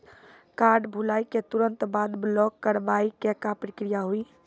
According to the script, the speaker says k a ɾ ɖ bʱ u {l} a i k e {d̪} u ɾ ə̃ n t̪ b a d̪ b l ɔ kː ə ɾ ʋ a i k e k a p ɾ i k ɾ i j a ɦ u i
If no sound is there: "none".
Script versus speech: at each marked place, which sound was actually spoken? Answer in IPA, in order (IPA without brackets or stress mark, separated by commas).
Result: l, t̪